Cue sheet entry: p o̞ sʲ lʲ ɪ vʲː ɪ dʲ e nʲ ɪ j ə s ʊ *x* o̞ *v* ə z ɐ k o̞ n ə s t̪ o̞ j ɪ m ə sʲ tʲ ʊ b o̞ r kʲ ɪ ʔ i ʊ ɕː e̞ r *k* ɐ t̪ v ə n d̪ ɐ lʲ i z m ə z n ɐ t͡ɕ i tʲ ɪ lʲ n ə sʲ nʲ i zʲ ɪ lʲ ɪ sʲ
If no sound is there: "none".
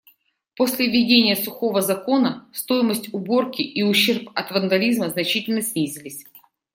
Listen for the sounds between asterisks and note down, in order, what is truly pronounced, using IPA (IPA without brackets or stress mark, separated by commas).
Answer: x, v, p